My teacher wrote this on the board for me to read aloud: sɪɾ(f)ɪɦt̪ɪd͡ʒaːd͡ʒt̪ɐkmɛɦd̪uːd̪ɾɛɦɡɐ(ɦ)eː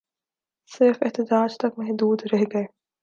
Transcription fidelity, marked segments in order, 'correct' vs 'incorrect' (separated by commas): correct, incorrect